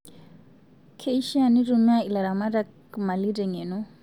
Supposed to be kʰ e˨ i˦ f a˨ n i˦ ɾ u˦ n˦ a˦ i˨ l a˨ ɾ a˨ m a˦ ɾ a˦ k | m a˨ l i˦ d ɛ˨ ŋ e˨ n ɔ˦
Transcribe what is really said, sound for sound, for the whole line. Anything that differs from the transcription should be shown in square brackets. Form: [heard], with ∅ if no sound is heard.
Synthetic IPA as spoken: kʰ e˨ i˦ [ʃ] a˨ n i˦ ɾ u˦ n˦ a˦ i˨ l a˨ ɾ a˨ m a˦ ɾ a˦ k | m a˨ l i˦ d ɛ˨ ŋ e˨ n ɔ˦